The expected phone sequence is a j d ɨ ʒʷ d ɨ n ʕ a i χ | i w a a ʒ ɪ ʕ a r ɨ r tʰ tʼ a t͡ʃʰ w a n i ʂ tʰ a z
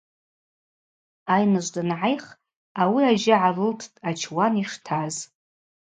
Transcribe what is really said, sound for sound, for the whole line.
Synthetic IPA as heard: a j n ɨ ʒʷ d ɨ n ʕ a j χ | a w i a ʒ ɪ ʕ a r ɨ l tʰ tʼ a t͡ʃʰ w a n i ʂ tʰ a z